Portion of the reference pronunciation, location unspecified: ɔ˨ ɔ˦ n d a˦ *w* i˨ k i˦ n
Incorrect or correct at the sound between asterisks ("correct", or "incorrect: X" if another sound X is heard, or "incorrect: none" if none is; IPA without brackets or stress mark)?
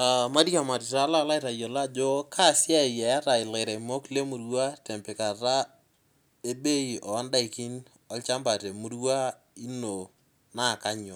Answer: incorrect: none